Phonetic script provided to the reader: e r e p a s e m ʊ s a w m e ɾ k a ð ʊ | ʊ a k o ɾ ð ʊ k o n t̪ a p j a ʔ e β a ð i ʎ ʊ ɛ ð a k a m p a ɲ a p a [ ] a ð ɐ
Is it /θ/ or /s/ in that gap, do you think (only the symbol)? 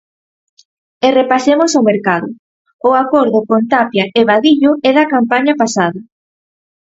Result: s